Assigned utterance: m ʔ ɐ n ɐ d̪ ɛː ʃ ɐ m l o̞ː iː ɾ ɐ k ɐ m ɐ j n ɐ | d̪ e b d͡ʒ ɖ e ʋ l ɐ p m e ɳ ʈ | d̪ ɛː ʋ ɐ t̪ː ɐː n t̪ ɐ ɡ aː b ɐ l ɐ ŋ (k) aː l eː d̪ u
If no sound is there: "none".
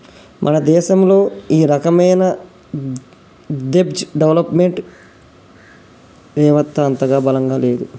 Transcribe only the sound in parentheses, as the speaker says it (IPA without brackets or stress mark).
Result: ɡ